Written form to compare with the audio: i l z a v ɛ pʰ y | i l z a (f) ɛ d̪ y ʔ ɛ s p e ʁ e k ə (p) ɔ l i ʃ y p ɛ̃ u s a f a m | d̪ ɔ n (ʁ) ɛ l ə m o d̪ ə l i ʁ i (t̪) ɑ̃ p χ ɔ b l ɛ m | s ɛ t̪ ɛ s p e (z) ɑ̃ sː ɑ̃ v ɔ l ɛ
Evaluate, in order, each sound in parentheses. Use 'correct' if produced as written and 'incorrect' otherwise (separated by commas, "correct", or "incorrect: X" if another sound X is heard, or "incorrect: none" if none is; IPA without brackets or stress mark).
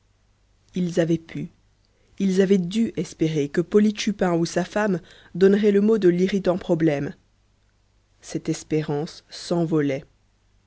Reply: incorrect: v, correct, correct, correct, incorrect: ʁ